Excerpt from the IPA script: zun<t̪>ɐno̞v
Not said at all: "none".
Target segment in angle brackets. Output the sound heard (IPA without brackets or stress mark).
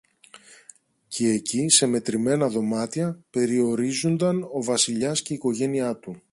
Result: d̪